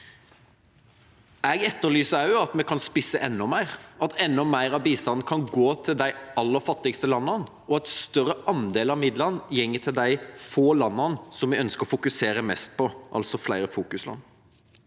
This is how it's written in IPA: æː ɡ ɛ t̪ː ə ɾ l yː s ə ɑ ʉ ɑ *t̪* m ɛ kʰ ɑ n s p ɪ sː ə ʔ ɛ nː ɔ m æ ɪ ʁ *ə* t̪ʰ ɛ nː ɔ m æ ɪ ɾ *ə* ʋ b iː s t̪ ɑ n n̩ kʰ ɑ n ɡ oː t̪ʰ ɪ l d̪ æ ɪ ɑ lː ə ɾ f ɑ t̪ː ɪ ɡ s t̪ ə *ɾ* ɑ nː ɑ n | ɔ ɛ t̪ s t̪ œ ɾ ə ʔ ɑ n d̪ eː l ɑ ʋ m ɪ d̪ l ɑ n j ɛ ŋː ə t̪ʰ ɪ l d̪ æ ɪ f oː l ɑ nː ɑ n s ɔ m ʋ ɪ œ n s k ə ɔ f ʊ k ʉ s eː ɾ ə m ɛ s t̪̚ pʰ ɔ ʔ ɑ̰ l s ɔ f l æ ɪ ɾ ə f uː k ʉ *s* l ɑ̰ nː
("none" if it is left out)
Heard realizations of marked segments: t̪, ɑ, ɑ, l, s

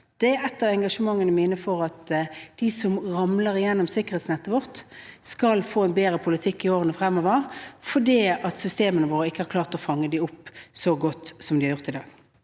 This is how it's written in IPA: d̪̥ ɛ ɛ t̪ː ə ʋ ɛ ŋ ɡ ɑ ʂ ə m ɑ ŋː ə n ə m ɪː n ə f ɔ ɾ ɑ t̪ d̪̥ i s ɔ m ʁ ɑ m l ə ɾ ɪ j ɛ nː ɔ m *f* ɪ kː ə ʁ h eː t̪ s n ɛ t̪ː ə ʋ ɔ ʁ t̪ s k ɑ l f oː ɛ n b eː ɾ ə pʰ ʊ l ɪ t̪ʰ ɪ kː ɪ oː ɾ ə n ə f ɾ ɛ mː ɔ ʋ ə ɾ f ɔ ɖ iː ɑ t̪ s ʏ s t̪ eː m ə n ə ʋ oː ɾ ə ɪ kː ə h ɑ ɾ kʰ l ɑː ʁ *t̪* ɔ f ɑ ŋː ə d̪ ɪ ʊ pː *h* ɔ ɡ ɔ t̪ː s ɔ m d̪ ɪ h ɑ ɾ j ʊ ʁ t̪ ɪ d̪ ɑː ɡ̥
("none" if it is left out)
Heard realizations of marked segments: s, t̪, s

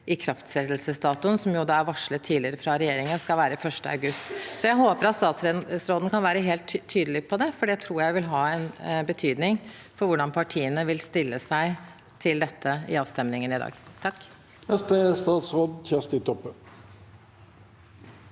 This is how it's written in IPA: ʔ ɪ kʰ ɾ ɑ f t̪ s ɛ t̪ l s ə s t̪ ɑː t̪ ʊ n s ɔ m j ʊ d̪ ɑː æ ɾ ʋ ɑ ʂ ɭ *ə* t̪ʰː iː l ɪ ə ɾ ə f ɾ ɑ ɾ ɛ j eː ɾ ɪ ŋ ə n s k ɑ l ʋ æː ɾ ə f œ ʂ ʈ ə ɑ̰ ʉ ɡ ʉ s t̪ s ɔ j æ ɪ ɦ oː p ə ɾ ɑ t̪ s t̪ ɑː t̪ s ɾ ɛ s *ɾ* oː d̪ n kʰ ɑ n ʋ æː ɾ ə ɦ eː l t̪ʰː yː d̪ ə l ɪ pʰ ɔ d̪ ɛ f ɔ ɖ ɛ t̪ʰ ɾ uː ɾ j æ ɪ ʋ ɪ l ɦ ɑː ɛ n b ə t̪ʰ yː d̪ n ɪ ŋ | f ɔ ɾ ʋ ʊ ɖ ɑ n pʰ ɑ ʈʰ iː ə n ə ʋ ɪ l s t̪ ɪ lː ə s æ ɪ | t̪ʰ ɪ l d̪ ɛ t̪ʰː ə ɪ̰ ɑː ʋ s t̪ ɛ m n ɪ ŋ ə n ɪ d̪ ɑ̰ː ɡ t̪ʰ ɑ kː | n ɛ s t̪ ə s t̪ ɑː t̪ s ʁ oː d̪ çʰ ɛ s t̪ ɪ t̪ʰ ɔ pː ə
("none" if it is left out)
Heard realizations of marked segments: ə, ɾ

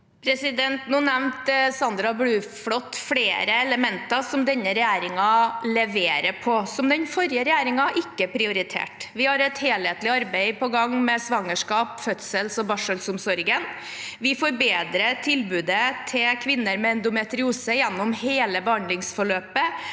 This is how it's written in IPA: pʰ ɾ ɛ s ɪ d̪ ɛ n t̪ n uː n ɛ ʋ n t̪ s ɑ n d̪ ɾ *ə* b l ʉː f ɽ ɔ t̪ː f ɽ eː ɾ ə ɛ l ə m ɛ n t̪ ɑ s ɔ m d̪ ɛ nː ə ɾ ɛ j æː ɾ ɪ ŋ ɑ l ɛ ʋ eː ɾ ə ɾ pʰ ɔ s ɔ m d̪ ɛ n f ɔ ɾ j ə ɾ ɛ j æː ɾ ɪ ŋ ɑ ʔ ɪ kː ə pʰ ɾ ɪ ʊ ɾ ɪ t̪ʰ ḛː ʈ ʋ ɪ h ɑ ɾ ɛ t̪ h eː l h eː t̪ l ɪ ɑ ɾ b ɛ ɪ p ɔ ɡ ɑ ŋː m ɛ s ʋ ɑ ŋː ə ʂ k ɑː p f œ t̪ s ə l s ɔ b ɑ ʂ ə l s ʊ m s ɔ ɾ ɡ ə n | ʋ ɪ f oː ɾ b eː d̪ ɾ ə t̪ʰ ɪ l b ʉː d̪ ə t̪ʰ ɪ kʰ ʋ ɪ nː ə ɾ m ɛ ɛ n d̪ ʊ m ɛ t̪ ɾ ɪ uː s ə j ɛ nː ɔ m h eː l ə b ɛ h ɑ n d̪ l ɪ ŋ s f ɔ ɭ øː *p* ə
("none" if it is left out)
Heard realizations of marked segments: ɑ, p

